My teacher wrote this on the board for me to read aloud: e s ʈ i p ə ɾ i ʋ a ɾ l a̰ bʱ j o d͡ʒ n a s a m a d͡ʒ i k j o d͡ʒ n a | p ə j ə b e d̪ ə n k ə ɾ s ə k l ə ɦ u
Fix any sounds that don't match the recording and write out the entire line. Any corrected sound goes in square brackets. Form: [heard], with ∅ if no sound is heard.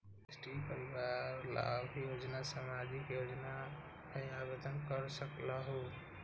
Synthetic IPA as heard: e s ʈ i p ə ɾ i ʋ a ɾ l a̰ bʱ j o d͡ʒ n a s a m a d͡ʒ i k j o d͡ʒ n a | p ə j [a] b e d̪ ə n k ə ɾ s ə k l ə ɦ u